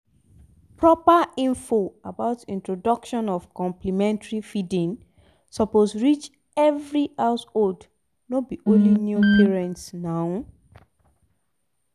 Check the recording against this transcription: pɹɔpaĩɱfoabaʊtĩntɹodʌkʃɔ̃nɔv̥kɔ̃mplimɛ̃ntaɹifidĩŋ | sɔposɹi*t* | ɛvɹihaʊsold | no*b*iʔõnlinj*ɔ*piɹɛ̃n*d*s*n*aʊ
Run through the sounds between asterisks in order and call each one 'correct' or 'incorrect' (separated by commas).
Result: incorrect, correct, incorrect, incorrect, correct